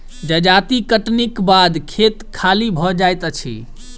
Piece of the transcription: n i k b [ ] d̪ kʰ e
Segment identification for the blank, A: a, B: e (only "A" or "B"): A